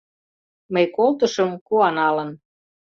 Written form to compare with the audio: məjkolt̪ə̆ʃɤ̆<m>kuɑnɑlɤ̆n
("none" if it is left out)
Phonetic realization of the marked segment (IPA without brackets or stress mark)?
m